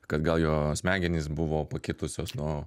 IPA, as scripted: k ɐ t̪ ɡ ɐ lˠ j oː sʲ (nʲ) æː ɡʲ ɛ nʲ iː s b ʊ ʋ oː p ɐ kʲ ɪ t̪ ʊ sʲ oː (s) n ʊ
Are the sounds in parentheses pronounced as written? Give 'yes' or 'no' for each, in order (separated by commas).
no, yes